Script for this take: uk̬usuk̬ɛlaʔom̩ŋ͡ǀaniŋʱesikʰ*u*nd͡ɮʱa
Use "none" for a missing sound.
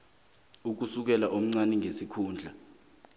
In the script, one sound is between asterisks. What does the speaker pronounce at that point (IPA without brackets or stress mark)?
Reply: uː